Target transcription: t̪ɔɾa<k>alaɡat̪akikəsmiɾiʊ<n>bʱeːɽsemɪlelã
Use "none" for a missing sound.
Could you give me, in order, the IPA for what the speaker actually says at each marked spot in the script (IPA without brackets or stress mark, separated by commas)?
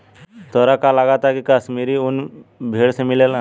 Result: k, n